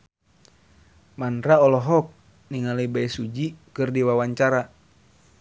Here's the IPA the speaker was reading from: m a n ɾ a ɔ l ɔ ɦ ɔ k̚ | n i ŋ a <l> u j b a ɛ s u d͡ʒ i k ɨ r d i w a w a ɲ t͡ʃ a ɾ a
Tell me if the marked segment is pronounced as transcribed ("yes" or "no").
yes